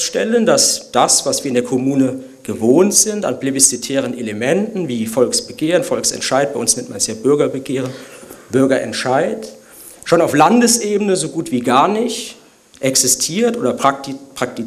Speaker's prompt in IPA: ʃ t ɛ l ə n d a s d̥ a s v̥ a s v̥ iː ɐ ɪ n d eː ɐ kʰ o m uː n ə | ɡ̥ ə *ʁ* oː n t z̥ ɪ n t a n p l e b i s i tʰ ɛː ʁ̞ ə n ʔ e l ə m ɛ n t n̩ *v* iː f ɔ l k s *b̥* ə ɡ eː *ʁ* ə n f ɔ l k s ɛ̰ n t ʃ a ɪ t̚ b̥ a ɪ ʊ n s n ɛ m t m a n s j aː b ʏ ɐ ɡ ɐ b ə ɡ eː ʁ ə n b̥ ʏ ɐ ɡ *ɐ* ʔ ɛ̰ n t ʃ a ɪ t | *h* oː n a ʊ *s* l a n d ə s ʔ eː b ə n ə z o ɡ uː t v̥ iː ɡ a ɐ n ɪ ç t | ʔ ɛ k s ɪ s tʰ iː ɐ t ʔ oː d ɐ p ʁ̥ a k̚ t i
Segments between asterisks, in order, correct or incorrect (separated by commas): incorrect, correct, correct, correct, correct, incorrect, incorrect